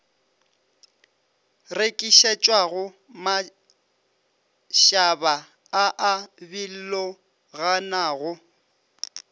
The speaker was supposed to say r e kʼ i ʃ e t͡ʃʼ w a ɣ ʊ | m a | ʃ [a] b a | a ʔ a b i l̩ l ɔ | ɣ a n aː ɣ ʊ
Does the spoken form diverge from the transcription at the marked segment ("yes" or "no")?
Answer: no